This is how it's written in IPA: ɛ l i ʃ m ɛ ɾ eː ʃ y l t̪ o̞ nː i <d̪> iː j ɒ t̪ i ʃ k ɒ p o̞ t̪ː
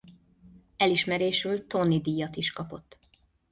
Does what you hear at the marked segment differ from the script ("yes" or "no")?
no